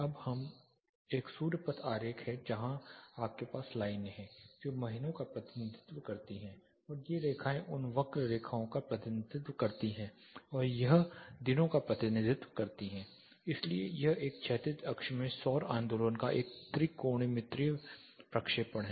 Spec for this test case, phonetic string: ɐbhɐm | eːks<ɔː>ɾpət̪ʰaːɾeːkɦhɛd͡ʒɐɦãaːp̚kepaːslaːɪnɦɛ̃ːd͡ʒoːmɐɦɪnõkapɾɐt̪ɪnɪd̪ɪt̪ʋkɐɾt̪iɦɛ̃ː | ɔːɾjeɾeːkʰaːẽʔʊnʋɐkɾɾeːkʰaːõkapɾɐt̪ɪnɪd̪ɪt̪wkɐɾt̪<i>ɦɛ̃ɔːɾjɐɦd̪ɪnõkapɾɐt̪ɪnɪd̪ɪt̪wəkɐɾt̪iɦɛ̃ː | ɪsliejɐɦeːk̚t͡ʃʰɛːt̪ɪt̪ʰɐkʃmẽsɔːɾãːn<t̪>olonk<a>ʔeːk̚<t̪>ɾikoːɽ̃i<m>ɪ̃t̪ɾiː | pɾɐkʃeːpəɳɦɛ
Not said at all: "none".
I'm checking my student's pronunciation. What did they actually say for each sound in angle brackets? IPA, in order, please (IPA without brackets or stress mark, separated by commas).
uː, i, d̪, a, t̪, m